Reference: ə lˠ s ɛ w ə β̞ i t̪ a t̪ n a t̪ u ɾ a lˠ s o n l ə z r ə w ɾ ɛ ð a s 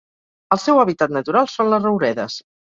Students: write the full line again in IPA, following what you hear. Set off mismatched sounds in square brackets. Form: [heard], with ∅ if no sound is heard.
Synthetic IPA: ə lˠ s ɛ w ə β̞ i t̪ a t̪ n [ə] t̪ u ɾ a lˠ s o n l ə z r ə w ɾ ɛ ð [ə] s